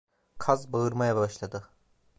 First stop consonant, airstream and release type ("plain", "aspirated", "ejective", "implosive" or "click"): aspirated